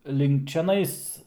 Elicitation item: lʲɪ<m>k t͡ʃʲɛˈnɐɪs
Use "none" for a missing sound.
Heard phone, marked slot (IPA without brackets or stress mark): ŋ